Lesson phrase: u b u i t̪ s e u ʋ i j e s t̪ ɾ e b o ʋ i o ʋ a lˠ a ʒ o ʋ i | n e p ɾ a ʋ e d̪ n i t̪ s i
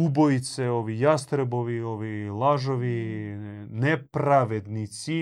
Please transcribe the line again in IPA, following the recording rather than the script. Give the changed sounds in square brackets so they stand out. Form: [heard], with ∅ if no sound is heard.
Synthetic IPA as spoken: u b [o] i t̪ s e [o] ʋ i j [a] s t̪ ɾ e b o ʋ i o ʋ [i] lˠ a ʒ o ʋ i | n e p ɾ a ʋ e d̪ n i t̪ s i